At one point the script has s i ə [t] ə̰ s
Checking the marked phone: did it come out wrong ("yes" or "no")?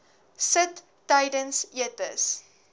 no